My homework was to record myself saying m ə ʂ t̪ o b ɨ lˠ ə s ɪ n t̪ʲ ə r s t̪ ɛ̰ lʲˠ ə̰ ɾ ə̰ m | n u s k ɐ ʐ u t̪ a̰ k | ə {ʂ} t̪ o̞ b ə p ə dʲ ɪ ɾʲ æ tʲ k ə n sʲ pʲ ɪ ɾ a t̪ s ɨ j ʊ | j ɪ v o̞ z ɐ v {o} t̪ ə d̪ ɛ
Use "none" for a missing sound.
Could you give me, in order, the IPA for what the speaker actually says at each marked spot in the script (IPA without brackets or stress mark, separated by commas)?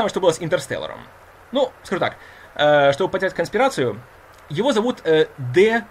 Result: ʂ, u